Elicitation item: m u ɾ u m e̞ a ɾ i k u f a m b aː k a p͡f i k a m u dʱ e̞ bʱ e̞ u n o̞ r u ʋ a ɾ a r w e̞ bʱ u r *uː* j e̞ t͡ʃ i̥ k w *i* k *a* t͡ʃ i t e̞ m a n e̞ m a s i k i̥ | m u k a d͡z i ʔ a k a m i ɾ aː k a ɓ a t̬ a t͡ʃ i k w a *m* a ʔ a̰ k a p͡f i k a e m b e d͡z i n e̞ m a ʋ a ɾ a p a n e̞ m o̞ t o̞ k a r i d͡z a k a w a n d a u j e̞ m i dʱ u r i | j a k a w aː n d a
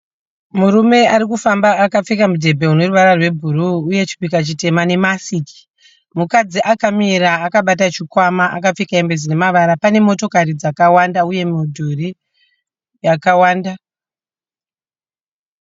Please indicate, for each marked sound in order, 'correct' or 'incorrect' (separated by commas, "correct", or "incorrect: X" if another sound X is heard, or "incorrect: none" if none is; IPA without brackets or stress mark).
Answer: correct, correct, correct, correct